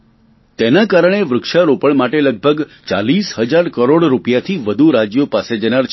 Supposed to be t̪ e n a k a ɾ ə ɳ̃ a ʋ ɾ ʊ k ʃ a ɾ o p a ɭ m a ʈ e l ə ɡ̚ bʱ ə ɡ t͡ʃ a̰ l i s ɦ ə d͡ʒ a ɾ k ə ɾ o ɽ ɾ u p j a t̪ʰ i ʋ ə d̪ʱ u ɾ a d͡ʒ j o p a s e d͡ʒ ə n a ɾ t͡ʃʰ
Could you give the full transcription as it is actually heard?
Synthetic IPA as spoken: t̪ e n a k a ɾ ə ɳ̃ e ʋ ɾ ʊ k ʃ a ɾ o p ə ɭ m a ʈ e l ə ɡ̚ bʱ ə ɡ t͡ʃ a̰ l i s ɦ ə d͡ʒ a ɾ k ə ɾ o ɽ ɾ u p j a t̪ʰ i ʋ ə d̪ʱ u ɾ a d͡ʒ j o p a s e d͡ʒ ə n a ɾ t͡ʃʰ